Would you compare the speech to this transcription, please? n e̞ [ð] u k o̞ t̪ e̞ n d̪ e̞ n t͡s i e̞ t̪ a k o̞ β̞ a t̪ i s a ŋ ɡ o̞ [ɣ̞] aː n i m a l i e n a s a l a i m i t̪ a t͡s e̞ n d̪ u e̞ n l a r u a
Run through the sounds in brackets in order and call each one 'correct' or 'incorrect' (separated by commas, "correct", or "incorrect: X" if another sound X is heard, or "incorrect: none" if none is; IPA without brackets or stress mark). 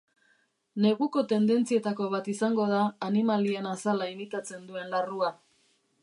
incorrect: ɣ, incorrect: ð̞